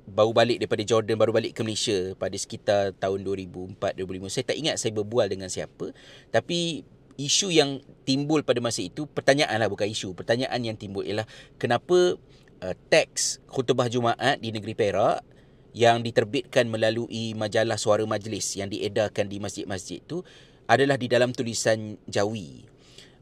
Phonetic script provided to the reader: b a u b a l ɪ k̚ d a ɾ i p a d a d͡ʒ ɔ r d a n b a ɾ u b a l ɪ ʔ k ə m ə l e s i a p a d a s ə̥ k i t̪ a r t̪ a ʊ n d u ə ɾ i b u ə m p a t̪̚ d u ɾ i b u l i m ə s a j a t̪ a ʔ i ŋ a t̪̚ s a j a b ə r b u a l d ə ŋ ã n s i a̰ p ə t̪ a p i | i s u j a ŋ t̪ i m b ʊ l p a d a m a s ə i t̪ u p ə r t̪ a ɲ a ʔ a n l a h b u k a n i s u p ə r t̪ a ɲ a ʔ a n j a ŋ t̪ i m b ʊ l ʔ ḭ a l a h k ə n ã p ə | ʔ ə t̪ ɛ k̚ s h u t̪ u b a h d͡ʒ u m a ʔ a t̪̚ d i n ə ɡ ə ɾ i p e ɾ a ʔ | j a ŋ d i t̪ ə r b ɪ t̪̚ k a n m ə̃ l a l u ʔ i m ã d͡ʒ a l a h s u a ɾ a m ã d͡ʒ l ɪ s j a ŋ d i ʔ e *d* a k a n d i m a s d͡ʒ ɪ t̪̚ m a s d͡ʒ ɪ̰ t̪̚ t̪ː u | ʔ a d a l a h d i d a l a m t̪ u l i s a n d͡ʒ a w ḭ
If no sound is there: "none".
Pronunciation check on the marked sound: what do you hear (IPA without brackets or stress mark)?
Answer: d